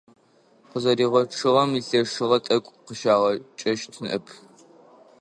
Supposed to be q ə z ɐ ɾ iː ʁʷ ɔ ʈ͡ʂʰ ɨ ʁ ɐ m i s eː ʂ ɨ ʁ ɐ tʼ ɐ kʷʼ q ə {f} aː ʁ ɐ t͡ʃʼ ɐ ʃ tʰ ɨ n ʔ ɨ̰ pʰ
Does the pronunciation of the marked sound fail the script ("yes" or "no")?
yes